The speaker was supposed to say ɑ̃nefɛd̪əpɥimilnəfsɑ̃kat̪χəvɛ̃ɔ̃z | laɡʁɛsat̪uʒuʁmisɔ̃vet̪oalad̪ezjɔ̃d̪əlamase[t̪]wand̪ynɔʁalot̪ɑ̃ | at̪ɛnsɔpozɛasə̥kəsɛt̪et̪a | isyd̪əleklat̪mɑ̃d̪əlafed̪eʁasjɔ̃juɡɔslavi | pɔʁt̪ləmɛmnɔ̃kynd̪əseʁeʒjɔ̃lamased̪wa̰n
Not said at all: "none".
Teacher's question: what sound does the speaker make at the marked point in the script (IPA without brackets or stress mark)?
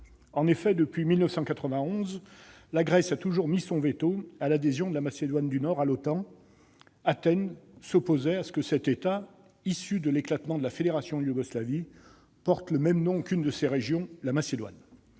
d̪